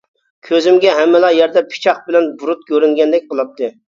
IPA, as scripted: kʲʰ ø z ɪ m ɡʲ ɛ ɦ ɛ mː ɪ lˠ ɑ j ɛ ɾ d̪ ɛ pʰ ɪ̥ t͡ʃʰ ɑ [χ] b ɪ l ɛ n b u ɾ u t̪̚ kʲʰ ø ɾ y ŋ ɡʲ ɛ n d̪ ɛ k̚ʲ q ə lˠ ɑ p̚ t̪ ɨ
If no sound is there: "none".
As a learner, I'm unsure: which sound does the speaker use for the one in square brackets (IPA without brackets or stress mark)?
χ